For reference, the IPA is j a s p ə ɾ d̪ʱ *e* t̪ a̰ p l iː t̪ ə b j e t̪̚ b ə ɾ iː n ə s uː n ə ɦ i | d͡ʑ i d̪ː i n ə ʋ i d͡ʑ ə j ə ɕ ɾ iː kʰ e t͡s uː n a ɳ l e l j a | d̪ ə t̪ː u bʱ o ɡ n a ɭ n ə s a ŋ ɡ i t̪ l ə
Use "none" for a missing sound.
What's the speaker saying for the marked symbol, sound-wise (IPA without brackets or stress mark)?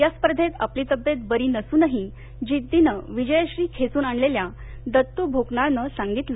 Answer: e